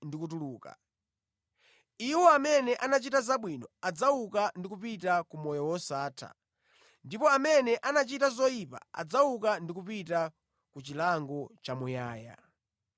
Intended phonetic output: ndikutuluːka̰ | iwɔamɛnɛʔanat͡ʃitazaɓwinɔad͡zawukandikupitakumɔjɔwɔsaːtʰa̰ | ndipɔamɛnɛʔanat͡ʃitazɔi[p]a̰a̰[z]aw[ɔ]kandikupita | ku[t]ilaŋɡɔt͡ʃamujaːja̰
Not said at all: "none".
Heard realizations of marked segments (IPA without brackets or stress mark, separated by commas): p, d͡z, u, t͡ʃ